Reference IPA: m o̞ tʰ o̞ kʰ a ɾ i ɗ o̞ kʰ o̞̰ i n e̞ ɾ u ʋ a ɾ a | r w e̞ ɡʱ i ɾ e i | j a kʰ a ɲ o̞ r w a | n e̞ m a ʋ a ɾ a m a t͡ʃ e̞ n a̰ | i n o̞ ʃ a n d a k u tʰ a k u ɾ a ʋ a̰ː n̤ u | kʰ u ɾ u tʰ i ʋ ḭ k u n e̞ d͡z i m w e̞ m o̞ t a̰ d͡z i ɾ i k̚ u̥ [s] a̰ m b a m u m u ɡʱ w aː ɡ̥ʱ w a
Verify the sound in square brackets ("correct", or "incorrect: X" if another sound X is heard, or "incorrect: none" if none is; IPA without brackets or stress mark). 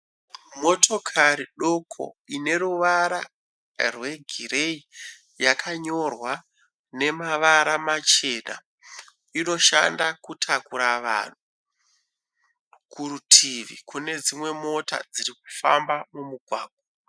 incorrect: f